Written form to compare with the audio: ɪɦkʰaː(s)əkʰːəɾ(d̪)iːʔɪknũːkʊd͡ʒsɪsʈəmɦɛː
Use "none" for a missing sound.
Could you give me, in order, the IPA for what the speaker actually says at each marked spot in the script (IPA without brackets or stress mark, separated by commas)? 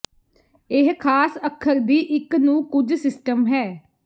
s, d̪